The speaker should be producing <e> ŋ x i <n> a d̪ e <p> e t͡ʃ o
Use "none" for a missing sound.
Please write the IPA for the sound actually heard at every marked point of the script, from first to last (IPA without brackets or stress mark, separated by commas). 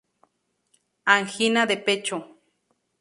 a, n, p